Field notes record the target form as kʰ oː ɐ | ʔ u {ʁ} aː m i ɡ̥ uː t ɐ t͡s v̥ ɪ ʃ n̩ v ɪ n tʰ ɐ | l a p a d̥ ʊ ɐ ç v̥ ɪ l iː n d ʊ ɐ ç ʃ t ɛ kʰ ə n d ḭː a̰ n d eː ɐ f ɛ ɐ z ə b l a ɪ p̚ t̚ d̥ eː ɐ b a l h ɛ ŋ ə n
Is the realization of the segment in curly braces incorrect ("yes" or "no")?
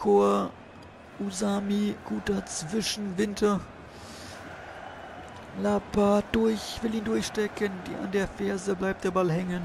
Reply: yes